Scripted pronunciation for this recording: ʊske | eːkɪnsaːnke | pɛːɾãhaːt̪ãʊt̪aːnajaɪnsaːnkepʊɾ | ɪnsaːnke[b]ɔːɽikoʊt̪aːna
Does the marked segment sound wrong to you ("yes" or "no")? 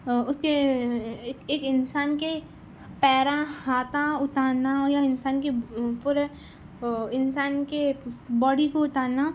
no